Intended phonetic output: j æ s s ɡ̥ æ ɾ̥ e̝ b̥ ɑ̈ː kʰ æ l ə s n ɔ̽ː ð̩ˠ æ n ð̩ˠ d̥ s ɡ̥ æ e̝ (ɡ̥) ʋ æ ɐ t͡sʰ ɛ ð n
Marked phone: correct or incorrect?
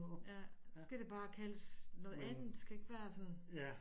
correct